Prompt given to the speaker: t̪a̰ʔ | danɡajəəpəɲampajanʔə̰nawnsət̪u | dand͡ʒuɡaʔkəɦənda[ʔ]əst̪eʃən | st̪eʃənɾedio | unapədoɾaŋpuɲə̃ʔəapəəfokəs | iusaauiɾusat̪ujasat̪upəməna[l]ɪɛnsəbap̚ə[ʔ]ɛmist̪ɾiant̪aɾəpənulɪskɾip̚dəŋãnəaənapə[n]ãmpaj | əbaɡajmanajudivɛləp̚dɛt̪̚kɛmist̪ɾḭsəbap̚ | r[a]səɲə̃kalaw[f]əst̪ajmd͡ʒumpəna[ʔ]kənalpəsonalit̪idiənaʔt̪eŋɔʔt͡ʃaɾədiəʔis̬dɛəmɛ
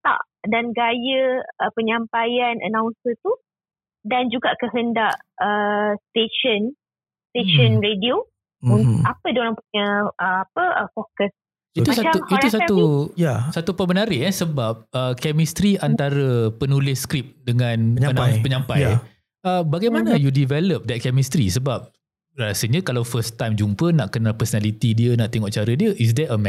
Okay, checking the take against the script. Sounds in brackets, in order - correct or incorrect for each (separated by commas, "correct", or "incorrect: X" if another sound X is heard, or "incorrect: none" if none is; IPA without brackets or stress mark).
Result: correct, incorrect: ɾ, incorrect: k, incorrect: ɲ, correct, correct, correct